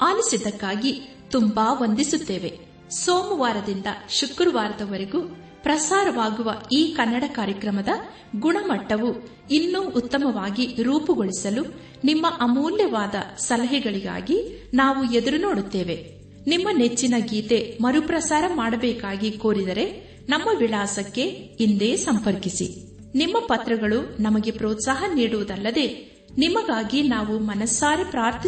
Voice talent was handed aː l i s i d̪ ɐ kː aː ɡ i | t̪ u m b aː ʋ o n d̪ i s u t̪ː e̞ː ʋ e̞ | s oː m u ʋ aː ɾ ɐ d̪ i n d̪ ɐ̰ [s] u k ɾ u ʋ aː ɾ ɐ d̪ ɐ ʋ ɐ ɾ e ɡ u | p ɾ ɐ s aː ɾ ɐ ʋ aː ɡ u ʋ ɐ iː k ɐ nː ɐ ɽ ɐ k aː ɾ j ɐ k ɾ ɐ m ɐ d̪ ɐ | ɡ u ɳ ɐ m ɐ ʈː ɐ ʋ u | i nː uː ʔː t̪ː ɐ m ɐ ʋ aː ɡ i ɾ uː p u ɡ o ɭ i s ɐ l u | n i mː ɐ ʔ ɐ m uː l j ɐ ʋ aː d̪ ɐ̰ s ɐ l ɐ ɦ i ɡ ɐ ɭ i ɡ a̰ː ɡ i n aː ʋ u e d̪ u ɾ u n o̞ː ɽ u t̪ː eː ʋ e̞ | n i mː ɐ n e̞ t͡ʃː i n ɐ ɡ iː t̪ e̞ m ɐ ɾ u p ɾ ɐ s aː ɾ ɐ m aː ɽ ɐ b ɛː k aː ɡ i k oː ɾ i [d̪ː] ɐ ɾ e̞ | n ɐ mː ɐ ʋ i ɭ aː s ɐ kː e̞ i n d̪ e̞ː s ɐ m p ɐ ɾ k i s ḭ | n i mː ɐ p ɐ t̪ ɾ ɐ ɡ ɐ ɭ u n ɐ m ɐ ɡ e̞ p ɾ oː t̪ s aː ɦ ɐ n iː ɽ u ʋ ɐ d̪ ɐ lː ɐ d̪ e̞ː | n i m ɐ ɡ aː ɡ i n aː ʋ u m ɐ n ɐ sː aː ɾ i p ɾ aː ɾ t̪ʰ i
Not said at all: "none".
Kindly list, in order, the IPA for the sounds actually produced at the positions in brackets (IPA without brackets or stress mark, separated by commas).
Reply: ʃ, d̪